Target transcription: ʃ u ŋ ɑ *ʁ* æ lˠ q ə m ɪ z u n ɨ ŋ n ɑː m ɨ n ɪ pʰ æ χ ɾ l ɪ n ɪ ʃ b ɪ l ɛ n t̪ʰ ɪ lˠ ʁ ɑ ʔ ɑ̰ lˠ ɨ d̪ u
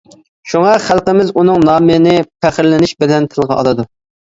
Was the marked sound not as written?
yes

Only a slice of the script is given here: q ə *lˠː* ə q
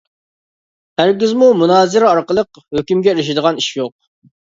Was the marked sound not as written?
yes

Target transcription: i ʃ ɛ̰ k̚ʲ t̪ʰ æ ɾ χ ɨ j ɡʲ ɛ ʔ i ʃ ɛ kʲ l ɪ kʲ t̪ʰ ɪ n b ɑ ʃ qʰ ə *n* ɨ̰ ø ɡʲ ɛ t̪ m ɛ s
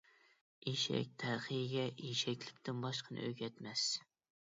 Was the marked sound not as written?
no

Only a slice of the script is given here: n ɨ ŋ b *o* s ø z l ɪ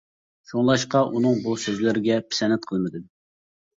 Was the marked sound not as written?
yes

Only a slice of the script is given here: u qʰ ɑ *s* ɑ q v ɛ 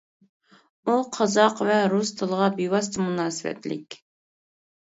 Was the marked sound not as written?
yes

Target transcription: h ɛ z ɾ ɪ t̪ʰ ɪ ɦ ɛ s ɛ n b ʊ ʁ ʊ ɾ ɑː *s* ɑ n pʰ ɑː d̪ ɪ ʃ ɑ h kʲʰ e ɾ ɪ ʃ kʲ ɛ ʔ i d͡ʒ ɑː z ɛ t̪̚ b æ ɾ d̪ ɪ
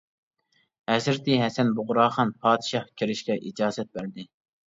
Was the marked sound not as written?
yes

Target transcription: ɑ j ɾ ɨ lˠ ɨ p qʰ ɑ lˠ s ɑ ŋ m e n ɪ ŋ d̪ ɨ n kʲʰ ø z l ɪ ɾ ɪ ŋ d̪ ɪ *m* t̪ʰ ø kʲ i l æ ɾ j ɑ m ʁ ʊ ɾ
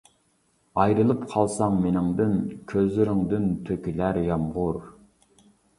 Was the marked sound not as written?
yes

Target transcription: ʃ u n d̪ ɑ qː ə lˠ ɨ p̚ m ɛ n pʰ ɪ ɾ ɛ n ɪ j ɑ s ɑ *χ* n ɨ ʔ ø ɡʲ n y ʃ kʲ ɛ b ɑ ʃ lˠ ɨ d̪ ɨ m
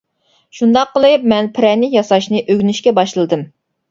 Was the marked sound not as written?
yes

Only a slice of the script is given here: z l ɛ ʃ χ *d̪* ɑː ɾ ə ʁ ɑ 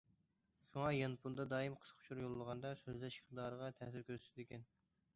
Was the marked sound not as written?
no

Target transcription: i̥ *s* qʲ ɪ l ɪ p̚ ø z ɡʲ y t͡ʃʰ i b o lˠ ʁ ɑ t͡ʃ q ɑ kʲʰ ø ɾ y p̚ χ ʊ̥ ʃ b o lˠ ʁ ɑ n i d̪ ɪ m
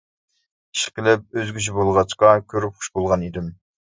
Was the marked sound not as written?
yes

